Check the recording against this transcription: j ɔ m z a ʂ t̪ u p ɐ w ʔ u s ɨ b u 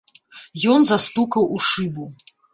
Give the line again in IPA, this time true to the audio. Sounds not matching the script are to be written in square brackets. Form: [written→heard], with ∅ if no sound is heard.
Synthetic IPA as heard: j ɔ [m→n] z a [ʂ→s] t̪ u [p→k] ɐ w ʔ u [s→ʂ] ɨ b u